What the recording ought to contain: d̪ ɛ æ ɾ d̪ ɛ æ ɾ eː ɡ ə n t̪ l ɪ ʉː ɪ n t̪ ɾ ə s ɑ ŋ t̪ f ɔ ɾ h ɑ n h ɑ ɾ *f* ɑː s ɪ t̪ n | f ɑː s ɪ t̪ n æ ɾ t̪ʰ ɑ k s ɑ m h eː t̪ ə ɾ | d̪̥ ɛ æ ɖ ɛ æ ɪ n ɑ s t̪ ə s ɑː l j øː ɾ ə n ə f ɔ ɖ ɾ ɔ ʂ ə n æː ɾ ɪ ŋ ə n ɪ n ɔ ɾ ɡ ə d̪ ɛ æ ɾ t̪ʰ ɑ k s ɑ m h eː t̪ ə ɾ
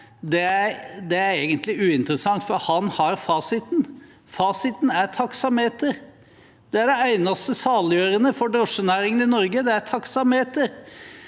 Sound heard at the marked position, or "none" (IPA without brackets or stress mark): f